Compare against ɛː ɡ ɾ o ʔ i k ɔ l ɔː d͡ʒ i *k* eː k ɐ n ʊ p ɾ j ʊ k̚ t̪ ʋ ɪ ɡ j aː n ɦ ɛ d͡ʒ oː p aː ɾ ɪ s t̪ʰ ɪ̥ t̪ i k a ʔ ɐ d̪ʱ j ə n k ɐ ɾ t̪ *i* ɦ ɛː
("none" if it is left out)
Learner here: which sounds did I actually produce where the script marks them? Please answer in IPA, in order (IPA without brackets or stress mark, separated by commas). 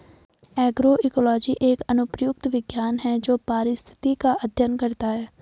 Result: ʔ, a